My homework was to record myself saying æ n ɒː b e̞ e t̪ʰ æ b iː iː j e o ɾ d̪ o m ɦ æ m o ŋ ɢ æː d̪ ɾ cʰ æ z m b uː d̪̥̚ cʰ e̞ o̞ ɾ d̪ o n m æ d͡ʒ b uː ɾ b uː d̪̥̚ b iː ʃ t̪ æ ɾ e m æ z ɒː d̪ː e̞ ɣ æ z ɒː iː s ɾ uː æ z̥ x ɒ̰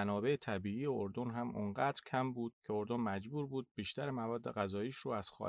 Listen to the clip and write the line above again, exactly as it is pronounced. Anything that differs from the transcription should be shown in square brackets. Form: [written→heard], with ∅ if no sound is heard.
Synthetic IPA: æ n ɒː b e̞ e t̪ʰ æ b iː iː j e o ɾ d̪ o [m→n] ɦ æ m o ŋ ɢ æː d̪ ɾ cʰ æ [z→∅] m b uː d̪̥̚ cʰ e̞ o̞ ɾ d̪ o n m æ d͡ʒ b uː ɾ b uː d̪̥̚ b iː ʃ t̪ æ ɾ e m æ [z→v] ɒː d̪ː e̞ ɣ æ z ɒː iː [s→ʃ] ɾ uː æ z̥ x ɒ̰